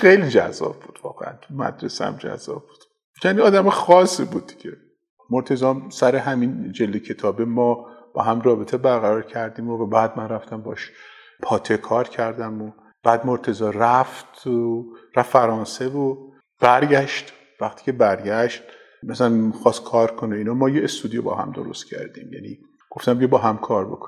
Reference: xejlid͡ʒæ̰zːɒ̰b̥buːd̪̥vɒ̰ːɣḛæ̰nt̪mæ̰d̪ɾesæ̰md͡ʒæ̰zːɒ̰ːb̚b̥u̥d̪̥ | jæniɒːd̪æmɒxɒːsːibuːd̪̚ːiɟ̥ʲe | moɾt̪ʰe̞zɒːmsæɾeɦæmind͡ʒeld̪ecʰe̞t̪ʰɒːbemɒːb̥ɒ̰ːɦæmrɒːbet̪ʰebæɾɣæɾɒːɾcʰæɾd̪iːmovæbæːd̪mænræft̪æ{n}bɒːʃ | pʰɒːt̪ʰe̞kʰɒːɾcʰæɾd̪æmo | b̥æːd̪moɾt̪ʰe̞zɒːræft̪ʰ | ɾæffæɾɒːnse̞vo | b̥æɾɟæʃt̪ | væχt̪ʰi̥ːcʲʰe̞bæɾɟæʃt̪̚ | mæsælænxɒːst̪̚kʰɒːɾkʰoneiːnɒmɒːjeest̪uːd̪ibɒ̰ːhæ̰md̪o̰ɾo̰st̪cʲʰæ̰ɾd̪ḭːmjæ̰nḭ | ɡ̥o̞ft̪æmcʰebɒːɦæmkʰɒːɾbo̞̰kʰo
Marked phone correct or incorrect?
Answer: incorrect